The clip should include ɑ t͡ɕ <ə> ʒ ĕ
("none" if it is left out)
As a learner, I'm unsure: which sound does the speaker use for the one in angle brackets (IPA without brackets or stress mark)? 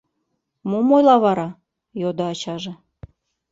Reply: ɑ